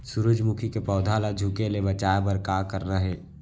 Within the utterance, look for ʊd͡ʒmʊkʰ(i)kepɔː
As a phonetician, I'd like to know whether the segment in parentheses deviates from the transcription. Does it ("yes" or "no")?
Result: no